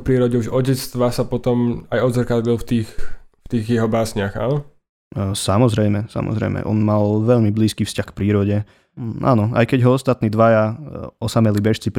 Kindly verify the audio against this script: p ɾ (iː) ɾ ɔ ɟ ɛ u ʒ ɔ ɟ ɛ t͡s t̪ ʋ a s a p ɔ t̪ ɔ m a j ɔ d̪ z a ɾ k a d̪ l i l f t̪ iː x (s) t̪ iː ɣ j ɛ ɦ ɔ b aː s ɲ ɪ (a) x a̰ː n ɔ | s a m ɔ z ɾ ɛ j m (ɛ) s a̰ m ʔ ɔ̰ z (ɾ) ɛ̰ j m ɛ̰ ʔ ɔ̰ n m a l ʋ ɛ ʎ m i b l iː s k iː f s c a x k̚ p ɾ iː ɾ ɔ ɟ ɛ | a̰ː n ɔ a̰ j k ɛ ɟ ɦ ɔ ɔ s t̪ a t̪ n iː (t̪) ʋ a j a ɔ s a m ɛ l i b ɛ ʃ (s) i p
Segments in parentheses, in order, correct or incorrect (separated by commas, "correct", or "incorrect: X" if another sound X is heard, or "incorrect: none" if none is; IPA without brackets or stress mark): correct, incorrect: f, correct, correct, correct, incorrect: d̪, incorrect: t͡s